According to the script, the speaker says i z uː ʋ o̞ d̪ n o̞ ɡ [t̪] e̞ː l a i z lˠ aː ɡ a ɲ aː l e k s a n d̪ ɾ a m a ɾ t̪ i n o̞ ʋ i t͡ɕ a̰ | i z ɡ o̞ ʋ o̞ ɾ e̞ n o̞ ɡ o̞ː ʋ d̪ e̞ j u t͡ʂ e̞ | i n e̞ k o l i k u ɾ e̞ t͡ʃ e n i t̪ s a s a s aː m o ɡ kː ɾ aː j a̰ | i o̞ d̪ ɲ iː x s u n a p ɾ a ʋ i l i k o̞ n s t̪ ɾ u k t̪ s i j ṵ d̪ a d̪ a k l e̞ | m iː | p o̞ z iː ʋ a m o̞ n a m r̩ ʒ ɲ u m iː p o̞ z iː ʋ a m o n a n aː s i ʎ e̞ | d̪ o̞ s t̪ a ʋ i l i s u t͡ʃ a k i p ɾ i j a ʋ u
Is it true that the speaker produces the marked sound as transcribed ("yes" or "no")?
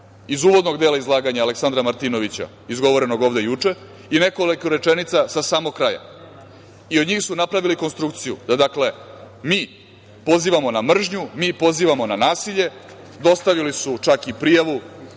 no